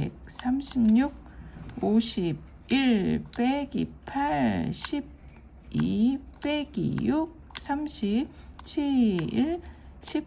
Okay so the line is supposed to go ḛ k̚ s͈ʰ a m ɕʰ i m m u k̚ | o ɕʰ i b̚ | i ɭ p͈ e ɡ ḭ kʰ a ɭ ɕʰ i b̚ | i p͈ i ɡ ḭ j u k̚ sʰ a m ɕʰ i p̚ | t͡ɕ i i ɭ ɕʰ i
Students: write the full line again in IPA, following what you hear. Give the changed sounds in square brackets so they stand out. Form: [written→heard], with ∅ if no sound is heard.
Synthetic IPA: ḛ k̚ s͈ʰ a m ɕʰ i m [m→ɲ] u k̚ | o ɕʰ i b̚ | i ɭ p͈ e ɡ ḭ [kʰ→pʰ] a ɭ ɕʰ i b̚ | i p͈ [i→e] ɡ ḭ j u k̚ sʰ a m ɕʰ i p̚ | [t͡ɕ→t͡ɕʰ] i i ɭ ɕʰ i